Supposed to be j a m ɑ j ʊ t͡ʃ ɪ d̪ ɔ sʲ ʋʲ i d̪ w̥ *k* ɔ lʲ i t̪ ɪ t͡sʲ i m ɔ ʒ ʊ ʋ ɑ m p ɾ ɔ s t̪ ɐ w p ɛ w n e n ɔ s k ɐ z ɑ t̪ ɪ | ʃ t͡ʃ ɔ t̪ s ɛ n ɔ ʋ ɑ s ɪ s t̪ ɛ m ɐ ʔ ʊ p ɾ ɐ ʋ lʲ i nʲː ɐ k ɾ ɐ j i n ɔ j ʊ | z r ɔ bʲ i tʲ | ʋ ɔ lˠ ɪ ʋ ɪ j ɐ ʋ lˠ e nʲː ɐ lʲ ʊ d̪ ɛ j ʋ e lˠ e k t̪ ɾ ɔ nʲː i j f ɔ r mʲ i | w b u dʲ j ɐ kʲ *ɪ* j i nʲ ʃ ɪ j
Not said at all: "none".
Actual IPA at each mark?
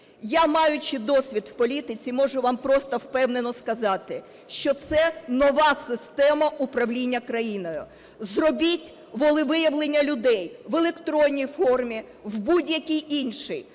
p, i

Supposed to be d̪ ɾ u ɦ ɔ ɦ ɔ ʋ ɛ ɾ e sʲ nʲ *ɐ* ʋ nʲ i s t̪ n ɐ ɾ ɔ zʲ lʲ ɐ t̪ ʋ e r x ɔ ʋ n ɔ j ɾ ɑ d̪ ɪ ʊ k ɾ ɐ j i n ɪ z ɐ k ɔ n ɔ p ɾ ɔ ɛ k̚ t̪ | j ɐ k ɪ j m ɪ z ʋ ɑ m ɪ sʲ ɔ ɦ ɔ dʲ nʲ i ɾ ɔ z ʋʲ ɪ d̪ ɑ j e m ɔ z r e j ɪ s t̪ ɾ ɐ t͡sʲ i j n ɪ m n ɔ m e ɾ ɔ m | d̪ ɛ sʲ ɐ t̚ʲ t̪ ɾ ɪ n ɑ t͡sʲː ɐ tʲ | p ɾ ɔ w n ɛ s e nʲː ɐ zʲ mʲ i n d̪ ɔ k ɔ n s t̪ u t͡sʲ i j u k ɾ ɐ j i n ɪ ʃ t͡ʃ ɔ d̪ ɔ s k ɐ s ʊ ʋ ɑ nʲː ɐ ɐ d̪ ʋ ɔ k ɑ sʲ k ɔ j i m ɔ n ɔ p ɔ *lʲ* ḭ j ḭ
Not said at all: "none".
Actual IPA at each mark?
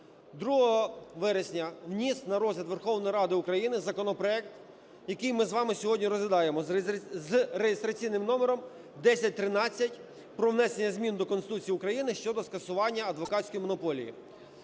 ɐ, lʲ

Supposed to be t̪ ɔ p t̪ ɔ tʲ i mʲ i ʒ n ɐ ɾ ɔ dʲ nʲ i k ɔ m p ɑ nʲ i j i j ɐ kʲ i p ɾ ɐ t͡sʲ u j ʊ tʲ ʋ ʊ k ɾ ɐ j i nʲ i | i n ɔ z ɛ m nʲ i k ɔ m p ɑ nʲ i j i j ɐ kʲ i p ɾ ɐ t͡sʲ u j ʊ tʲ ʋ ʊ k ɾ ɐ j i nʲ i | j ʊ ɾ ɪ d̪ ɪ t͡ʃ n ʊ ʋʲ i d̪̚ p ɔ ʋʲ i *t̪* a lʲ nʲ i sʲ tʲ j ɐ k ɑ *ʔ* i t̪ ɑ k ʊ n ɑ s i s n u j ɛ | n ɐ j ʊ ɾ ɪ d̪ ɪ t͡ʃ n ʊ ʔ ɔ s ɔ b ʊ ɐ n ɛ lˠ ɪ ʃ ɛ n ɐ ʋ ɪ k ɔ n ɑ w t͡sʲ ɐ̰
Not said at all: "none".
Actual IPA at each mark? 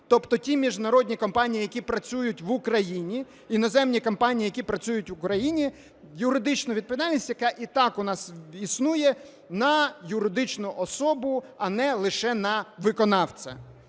d̪, ʔ

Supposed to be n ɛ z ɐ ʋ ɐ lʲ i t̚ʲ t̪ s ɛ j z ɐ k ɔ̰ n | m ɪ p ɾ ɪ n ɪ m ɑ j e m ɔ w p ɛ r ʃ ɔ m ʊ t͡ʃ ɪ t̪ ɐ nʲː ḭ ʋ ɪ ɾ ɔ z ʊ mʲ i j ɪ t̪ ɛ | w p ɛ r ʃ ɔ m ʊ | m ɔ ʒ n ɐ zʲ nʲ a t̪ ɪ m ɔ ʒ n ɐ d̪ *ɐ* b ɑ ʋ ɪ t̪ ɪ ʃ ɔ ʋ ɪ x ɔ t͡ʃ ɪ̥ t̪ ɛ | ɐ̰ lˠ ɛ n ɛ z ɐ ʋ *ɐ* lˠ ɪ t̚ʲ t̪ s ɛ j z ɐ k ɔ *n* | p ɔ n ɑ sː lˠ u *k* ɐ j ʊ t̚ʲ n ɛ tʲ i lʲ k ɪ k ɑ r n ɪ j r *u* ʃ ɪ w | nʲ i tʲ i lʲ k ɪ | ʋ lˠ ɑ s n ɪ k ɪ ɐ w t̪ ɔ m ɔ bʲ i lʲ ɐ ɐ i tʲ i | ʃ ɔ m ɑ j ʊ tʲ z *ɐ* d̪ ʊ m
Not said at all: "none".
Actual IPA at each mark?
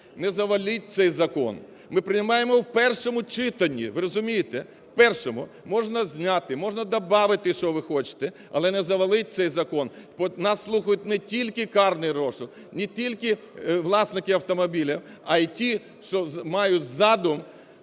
ɐ, ɐ, n, x, ɔ, ɑ

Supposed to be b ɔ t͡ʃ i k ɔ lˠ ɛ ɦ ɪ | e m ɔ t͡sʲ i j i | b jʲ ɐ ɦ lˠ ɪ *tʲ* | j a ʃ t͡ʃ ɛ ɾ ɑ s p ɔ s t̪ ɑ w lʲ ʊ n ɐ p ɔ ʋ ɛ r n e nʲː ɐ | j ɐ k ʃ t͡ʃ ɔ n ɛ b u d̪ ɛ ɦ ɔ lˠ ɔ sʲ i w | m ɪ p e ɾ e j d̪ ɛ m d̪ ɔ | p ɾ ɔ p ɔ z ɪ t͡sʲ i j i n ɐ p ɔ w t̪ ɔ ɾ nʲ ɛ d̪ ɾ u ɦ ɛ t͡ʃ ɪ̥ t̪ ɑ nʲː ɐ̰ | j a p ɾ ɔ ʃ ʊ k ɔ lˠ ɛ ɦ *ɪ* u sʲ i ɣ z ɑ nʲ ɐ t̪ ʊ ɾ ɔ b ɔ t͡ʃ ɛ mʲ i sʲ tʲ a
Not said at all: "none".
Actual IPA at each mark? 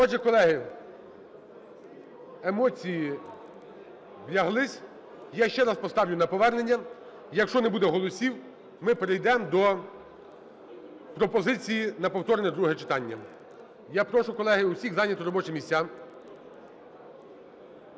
sʲ, ɪ

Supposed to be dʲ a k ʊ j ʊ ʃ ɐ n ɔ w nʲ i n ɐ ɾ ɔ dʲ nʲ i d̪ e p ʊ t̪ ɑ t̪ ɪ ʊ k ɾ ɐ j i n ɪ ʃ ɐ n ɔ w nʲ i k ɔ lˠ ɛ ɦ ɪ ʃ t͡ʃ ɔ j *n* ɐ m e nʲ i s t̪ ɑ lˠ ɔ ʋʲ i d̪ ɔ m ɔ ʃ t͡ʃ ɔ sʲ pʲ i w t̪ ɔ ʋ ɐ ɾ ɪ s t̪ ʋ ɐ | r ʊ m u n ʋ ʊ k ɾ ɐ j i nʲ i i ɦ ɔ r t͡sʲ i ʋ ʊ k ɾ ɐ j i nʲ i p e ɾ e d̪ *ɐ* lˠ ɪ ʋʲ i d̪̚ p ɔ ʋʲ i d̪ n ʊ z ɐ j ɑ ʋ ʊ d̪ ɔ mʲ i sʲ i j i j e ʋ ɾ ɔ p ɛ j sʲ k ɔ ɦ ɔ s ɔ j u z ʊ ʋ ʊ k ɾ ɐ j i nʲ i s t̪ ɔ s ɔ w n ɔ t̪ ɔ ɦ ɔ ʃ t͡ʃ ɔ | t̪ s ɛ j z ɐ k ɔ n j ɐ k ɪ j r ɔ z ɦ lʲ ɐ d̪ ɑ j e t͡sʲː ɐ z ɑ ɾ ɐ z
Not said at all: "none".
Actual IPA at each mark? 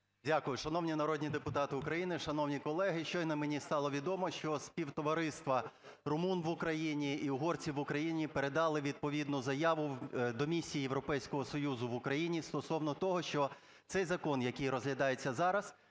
n, ɑ

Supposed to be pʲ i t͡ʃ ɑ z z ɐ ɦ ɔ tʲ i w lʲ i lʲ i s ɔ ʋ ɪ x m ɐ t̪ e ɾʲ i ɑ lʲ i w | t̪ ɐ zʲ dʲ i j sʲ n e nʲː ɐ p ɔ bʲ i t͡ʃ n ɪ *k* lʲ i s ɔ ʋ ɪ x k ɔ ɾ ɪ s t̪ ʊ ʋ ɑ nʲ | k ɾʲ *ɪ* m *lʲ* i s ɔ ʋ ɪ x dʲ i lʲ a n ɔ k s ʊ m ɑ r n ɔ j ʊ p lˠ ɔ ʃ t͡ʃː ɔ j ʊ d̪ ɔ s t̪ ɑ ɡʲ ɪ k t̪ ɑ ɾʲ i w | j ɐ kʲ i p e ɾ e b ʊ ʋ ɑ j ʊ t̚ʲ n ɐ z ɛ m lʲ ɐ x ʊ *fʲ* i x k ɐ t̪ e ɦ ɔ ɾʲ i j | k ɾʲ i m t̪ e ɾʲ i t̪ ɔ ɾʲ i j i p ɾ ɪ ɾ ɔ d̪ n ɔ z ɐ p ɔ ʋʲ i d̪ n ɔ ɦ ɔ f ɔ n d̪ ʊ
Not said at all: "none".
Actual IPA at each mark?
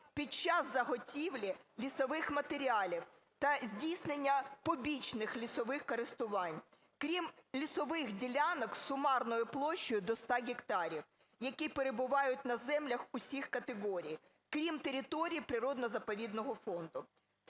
x, i, lʲ, sʲ

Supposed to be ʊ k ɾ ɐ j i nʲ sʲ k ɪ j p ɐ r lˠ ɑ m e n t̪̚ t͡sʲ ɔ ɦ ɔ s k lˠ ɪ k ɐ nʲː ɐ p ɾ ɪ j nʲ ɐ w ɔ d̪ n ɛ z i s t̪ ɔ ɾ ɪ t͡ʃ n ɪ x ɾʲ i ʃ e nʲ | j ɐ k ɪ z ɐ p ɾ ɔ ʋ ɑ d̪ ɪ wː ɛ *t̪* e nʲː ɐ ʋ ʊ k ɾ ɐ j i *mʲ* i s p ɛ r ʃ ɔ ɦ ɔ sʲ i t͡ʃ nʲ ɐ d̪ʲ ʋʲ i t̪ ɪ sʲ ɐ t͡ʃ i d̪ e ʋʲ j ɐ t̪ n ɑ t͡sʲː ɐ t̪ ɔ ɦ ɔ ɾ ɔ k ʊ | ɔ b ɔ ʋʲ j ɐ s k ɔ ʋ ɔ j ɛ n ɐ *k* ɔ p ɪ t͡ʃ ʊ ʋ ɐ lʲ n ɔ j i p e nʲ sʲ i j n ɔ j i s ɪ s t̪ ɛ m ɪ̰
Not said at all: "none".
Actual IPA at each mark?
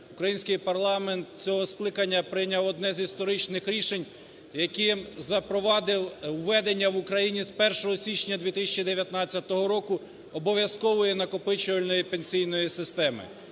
d̪, nʲ, k

